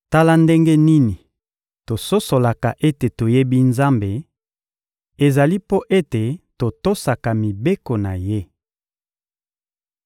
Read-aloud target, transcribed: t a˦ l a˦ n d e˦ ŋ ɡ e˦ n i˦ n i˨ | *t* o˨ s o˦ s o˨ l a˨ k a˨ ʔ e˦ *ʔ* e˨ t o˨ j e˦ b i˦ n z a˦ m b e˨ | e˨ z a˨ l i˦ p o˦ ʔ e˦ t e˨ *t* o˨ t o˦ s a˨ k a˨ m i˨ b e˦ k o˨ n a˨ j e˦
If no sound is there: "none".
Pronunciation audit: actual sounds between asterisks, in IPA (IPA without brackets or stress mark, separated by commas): t, t, t